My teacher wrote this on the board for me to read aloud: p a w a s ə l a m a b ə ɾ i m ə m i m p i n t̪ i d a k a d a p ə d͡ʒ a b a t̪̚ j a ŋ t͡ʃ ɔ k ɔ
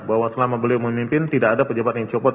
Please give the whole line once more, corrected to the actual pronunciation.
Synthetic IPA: b a w a s ə l a m a b ə l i m ə m i m p ɪ n t̪ i d a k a d a p ə d͡ʒ a b a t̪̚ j a ŋ t͡ʃ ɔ p ɔ